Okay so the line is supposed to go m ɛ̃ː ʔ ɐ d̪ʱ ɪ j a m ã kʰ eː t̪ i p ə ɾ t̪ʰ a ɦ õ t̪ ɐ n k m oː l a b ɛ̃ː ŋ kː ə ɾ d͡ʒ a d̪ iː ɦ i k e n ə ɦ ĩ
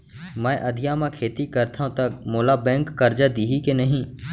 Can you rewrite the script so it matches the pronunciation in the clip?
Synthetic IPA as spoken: m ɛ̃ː ʔ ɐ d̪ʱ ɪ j a m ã kʰ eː t̪ i k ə ɾ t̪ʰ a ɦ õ t̪ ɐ k m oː l a b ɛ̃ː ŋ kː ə ɾ d͡ʒ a d̪ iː ɦ i k e n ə ɦ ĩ